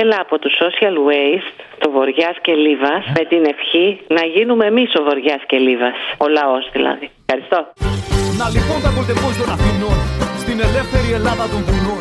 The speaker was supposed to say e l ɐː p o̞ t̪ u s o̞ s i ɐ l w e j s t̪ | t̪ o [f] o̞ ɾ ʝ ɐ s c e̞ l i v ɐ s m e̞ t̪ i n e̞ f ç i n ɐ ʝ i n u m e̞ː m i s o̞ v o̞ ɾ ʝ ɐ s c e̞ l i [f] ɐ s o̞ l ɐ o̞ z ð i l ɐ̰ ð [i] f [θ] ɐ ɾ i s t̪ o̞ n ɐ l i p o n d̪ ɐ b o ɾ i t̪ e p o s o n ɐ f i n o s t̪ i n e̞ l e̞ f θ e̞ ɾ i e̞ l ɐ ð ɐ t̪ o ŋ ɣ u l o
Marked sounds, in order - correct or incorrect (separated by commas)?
incorrect, incorrect, correct, incorrect